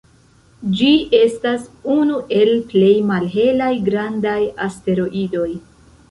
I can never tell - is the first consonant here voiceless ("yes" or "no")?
no